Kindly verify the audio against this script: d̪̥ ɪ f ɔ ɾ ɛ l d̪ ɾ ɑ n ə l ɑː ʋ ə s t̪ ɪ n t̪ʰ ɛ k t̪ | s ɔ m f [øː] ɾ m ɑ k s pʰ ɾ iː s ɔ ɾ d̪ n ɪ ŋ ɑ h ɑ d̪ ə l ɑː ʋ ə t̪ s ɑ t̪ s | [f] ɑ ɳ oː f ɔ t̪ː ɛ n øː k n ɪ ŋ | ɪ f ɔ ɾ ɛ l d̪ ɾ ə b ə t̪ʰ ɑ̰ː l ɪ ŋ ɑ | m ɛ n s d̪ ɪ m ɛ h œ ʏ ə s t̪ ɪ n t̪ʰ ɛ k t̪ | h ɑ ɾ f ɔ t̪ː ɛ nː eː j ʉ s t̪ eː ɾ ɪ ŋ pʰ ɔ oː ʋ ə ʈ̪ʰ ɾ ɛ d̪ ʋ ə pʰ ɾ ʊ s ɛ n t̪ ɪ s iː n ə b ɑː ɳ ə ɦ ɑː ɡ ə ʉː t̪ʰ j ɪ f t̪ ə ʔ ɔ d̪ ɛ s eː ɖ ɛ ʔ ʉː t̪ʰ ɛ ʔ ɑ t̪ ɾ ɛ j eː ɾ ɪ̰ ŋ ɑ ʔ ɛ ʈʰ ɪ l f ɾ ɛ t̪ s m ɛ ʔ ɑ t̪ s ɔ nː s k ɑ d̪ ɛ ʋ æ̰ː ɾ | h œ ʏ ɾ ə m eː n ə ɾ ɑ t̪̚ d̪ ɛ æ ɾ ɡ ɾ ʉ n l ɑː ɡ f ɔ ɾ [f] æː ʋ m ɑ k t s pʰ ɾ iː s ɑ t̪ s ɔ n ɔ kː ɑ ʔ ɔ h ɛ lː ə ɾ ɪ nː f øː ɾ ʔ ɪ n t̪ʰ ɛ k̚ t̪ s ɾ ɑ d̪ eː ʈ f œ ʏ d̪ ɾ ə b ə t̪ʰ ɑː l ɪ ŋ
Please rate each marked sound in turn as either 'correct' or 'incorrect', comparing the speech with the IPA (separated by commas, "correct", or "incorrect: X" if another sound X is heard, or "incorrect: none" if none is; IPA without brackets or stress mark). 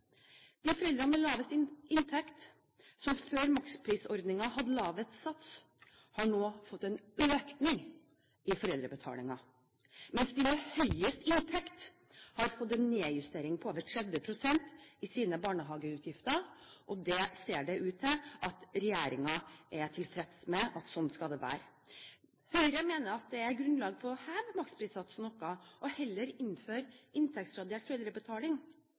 correct, incorrect: h, incorrect: h